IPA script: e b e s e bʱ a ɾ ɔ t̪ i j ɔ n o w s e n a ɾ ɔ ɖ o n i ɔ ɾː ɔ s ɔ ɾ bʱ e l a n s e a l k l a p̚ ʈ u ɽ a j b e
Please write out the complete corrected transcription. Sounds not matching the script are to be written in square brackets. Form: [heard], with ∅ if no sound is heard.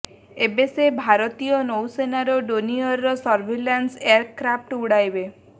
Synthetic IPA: e b e s e bʱ a ɾ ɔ t̪ i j ɔ n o w s e n a ɾ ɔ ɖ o n i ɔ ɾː ɔ s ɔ ɾ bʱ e l a n s e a [ɾ] k [ɾ] a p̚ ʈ u ɽ a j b e

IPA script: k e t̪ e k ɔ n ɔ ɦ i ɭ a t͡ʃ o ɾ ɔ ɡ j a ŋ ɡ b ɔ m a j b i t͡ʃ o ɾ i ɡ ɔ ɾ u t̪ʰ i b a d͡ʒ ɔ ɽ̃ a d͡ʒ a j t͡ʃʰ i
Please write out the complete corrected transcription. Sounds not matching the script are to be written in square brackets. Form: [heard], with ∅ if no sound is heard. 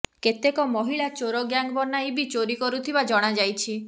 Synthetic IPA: k e t̪ e k ɔ [m] ɔ ɦ i ɭ a t͡ʃ o ɾ ɔ ɡ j a ŋ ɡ b ɔ [n] a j b i t͡ʃ o ɾ i [k] ɔ ɾ u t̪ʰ i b a d͡ʒ ɔ ɽ̃ a d͡ʒ a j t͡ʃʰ i

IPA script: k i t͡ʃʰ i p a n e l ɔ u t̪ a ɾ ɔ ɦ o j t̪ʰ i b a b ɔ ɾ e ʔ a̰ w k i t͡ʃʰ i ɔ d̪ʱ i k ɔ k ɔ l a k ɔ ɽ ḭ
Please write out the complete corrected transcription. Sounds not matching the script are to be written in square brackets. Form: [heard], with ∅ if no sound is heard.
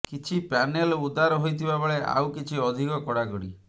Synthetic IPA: k i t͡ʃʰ i p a n e l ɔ u [d̪] a ɾ ɔ ɦ o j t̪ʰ i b a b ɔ [ɭ] e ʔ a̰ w k i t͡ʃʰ i ɔ d̪ʱ i k ɔ k ɔ [ɽ] a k ɔ ɽ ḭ

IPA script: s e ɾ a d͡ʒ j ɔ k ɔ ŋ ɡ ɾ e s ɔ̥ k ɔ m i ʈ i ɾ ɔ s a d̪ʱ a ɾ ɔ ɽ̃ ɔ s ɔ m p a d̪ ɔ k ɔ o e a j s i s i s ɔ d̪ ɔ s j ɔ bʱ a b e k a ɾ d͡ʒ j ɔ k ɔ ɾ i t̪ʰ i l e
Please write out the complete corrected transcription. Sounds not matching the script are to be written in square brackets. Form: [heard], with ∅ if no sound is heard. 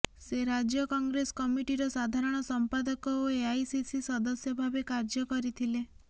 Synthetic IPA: s e ɾ a d͡ʒ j ɔ k ɔ ŋ ɡ ɾ e s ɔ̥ k ɔ m i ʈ i ɾ ɔ s a d̪ʱ a ɾ ɔ ɽ̃ ɔ s ɔ m p a d̪ ɔ k ɔ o e a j s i s i s ɔ d̪ ɔ s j ɔ bʱ a b e k a ɾ d͡ʒ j ɔ k ɔ ɾ i t̪ʰ i l e

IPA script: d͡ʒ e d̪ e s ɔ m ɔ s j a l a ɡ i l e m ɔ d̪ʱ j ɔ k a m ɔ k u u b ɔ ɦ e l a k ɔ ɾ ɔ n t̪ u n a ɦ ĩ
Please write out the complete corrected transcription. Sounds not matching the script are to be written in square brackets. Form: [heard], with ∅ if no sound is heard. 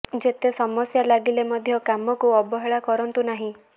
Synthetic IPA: d͡ʒ e [t̪] e s ɔ m ɔ s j a l a ɡ i l e m ɔ d̪ʱ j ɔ k a m ɔ k u [ɔ] b ɔ ɦ e [ɭ] a k ɔ ɾ ɔ n t̪ u n a ɦ ĩ

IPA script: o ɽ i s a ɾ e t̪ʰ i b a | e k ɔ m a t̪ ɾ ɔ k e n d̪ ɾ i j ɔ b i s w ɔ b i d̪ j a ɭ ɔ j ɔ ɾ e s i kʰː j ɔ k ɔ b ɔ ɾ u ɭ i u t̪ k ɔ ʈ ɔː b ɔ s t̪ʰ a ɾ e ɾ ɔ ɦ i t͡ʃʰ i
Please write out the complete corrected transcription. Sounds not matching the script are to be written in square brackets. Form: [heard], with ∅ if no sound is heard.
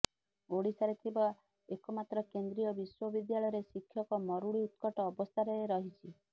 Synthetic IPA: o ɽ i s a ɾ e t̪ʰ i b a | e k ɔ m a t̪ ɾ ɔ k e n d̪ ɾ i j ɔ b i s w ɔ b i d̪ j a ɭ ɔ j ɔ ɾ e s i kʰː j ɔ k ɔ [m] ɔ ɾ u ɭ i u t̪ k ɔ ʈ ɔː b ɔ s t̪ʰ a ɾ e ɾ ɔ ɦ i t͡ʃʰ i

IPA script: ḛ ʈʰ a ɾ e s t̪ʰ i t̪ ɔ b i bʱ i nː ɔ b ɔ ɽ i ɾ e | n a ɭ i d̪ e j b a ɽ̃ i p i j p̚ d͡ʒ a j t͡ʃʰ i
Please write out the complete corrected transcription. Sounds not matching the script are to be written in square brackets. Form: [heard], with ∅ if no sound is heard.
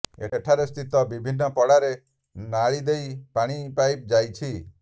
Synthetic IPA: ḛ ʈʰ a ɾ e s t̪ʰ i t̪ ɔ b i bʱ i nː ɔ [p] ɔ ɽ [a] ɾ e | n a ɭ i d̪ e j [p] a ɽ̃ i p [a] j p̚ d͡ʒ a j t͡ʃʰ i

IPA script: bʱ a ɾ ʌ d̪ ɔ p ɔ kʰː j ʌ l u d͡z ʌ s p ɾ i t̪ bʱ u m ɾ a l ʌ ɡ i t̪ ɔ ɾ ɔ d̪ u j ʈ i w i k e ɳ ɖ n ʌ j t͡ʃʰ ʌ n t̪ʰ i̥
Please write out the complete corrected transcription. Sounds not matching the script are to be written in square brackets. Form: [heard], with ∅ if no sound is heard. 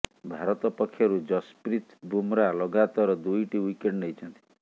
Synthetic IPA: bʱ a ɾ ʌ [t̪] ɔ p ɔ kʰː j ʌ [ɾ] u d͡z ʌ s p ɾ i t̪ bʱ u m ɾ a l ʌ ɡ [a] t̪ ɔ ɾ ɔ d̪ u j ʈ i w i k e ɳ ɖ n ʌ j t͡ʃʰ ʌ n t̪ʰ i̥

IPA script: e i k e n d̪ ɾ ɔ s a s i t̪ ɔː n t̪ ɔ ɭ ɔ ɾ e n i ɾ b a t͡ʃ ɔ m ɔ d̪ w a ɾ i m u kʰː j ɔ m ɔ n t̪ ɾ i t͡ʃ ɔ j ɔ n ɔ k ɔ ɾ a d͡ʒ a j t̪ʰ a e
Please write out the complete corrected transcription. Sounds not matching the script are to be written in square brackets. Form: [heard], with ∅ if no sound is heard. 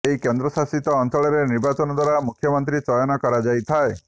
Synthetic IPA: e i k e n d̪ ɾ ɔ s a s i t̪ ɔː n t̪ ɔ ɭ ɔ ɾ e n i ɾ b a t͡ʃ ɔ [n] ɔ d̪ w a ɾ [a] m u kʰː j ɔ m ɔ n t̪ ɾ i t͡ʃ ɔ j ɔ n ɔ k ɔ ɾ a d͡ʒ a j t̪ʰ a e

